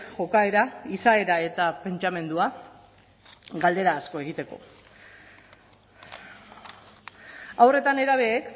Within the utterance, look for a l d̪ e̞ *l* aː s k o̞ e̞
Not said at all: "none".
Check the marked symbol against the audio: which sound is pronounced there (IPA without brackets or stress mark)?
ɾ